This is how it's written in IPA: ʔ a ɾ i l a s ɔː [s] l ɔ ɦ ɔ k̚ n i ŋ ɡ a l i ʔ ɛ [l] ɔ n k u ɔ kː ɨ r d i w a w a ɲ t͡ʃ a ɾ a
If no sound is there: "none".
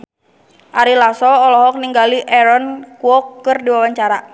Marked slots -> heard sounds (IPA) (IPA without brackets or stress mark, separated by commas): none, ɾ